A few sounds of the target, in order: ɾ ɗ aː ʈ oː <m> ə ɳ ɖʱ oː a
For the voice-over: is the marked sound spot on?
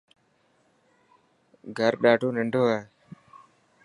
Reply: no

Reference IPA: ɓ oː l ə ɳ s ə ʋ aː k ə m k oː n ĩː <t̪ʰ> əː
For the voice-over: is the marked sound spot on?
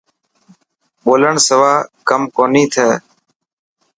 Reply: yes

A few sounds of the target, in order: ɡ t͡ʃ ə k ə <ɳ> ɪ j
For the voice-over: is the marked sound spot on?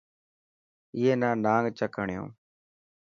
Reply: yes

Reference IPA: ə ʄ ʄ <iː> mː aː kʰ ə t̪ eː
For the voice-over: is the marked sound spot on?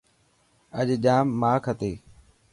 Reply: no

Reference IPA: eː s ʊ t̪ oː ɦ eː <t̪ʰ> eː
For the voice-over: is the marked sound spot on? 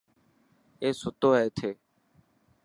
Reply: yes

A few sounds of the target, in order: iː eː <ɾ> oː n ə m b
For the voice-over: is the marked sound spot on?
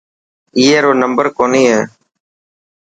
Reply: yes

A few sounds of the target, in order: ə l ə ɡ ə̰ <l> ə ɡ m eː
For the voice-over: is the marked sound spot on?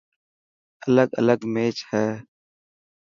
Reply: yes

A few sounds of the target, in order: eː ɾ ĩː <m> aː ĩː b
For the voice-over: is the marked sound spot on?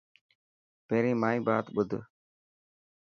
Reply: yes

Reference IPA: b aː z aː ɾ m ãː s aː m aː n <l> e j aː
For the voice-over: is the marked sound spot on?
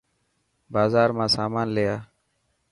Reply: yes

